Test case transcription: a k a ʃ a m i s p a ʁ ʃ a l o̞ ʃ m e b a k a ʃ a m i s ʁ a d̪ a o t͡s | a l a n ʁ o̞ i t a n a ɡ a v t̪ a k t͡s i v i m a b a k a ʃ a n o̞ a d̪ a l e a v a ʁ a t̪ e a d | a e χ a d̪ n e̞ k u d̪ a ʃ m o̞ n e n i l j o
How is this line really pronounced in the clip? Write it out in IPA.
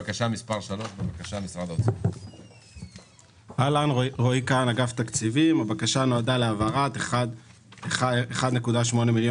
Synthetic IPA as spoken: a k a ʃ a m i s p a ʁ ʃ a l o̞ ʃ b e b a k a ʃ a m i s ʁ a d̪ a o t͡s | a l a n ʁ o̞ i k a n a ɡ a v t̪ a k t͡s i v i m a b a k a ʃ a n o̞ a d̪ a l e a v a ʁ a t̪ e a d | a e χ a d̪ n e̞ k u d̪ a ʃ m o̞ n e m i l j o

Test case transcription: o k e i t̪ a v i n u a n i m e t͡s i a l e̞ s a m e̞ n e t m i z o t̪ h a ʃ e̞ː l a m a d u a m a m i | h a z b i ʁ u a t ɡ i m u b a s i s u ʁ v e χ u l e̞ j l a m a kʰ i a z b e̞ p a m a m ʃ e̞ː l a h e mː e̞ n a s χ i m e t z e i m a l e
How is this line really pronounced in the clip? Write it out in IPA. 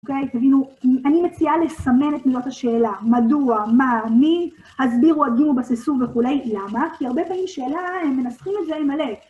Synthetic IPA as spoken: o k e j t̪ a v i n u a n i m e t͡s i a l e̞ s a m e̞ n e t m i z o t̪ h a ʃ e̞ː l a m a d u a m a m i | h a z b i ʁ u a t ɡ i m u b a s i s u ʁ v e χ u l e̞ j l a m a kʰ i a ʁ b e̞ p a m i m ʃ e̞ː l a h e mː e̞ n a s χ i m e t z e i m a l e

